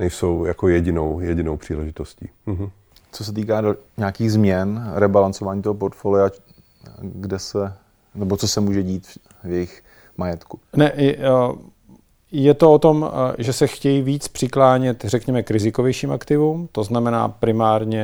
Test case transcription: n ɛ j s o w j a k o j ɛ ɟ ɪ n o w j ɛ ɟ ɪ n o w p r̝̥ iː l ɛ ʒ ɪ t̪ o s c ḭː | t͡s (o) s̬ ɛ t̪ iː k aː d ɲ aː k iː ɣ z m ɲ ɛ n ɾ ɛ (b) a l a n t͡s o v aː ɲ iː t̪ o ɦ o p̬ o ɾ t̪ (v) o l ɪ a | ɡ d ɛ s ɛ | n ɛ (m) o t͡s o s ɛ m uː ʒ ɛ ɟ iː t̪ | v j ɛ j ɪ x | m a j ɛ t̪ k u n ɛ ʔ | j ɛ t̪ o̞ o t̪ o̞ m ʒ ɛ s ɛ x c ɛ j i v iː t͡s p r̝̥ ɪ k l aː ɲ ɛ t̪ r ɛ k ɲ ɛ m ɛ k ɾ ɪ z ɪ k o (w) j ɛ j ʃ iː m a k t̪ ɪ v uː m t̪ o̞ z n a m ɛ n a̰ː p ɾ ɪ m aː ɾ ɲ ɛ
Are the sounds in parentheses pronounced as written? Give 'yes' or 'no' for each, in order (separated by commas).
yes, yes, no, no, no